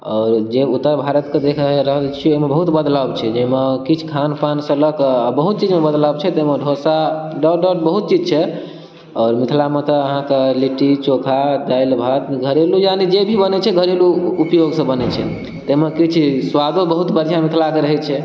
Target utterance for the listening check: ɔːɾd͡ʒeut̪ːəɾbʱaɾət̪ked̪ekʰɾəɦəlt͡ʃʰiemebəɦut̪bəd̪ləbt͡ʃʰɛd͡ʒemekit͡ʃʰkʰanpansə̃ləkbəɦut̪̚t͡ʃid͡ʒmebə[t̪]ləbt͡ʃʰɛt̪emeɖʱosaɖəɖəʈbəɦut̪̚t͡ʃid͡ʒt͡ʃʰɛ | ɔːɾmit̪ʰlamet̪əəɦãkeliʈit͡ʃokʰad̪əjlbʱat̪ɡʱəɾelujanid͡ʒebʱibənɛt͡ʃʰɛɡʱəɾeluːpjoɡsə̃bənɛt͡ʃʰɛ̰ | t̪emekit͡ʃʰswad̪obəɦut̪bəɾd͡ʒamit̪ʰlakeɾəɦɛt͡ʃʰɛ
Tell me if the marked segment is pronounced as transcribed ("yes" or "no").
no